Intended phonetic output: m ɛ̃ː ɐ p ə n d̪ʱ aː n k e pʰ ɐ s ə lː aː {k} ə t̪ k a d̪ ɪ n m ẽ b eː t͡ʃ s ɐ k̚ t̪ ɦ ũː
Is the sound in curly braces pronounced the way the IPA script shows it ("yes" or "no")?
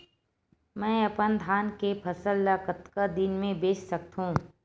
yes